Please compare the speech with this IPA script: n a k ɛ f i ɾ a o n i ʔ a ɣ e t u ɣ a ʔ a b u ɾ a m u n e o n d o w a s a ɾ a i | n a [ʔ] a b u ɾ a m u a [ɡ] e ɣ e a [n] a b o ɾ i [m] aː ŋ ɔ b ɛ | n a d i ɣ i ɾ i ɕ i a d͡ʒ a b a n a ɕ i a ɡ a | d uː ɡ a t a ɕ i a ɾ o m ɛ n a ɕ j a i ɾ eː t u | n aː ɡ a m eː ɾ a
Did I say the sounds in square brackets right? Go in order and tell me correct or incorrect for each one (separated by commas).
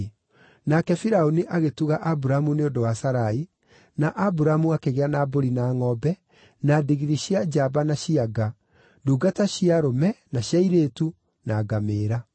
correct, incorrect, correct, incorrect